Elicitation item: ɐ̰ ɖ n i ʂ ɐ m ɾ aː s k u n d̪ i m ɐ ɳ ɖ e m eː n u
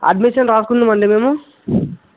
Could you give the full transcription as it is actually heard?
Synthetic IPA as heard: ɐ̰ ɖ m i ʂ ɐ n ɾ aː s k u n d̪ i m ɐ ɳ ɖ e m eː m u